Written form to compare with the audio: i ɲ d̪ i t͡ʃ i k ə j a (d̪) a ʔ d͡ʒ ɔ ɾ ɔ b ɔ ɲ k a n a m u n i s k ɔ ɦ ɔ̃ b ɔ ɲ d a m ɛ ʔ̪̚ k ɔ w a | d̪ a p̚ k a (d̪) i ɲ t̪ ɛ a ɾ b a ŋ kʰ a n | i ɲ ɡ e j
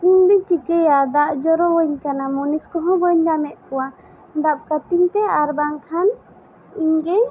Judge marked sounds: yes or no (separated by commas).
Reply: yes, no